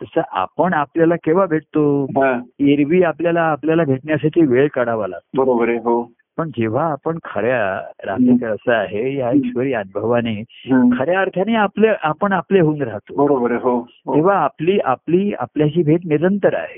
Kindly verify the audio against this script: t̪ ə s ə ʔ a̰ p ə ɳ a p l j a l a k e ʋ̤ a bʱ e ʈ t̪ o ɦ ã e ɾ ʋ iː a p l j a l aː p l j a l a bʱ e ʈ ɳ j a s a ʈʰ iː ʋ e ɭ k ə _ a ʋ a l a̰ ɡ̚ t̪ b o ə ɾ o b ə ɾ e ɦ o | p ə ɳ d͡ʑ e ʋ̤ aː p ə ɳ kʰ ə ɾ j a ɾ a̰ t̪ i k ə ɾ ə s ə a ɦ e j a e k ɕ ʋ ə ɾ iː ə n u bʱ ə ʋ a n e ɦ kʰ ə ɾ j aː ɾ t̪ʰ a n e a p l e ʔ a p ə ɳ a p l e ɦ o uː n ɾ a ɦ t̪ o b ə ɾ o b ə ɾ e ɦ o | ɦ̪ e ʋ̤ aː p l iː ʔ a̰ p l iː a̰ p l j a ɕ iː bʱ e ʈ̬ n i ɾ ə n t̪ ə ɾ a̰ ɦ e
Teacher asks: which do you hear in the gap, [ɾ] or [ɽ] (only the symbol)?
ɽ